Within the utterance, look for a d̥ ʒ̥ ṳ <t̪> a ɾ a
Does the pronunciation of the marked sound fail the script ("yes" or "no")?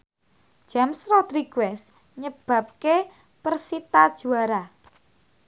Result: yes